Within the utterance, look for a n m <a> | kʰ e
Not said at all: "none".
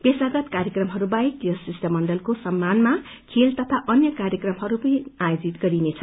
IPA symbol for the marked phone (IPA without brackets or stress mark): a